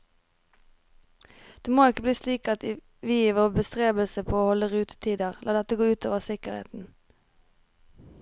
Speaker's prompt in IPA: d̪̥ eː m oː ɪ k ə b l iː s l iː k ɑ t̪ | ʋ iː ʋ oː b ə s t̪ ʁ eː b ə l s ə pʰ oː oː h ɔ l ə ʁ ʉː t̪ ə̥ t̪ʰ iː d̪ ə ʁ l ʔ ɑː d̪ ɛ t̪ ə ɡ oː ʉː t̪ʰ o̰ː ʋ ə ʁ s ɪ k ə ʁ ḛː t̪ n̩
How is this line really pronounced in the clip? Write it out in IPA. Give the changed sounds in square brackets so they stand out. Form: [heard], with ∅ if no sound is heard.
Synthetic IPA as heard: d̪̥ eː m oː ɪ k ə b l iː s l iː k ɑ t̪ | ʋ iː ʋ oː b ə s t̪ ʁ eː b ə l s ə pʰ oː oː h ɔ l ə ʁ ʉː t̪ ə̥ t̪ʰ iː d̪ ə ʁ l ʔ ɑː d̪ ɛ t̪ ə ɡ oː ʉː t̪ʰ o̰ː ʋ ə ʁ s ɪ k ə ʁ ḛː t̪ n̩